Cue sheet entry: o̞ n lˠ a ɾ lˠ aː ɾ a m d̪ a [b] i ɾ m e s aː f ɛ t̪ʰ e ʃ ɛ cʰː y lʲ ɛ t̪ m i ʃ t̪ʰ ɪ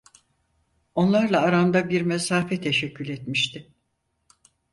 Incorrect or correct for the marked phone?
correct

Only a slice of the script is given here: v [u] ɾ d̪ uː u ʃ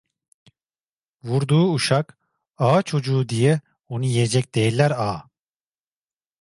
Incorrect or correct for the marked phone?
correct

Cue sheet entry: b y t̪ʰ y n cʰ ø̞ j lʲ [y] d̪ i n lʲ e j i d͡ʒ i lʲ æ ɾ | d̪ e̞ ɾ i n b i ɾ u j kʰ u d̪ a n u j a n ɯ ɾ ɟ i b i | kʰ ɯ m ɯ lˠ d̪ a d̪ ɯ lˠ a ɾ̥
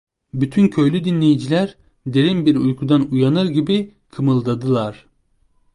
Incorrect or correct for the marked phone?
correct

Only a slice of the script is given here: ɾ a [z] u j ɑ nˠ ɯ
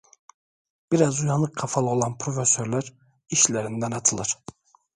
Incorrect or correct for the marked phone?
correct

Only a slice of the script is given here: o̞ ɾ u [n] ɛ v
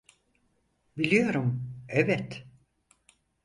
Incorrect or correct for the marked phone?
incorrect: m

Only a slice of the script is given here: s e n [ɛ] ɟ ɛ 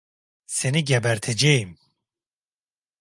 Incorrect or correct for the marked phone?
incorrect: i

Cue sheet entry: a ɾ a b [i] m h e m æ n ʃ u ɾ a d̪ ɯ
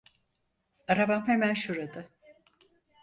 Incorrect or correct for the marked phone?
incorrect: a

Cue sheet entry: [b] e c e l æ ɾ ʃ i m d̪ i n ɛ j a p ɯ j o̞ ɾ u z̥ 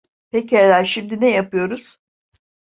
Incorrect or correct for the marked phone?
incorrect: p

